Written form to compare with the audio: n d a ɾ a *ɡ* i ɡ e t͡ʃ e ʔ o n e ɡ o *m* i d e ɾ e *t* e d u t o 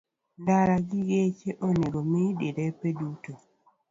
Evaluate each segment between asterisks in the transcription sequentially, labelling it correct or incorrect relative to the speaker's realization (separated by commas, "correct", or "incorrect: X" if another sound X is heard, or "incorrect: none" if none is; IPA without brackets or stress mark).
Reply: correct, correct, incorrect: p